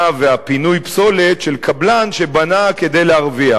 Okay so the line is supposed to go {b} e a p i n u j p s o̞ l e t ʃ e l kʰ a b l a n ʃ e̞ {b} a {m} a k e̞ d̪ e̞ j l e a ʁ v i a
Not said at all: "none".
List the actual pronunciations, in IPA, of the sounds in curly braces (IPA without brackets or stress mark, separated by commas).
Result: v, b, n